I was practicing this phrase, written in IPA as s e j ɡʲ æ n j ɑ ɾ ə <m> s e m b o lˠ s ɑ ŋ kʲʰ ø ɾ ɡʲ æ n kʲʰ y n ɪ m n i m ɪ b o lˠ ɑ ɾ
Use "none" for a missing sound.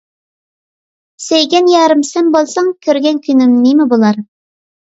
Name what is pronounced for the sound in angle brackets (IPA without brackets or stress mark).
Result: m